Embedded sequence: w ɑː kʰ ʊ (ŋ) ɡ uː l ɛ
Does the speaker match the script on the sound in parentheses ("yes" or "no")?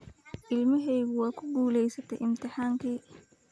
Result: no